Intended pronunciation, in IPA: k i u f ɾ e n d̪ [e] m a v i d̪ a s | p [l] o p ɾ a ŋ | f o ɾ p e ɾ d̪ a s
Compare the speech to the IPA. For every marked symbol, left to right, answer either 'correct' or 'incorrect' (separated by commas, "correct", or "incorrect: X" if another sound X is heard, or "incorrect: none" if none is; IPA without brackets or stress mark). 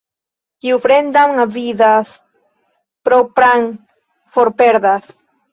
incorrect: a, incorrect: ɾ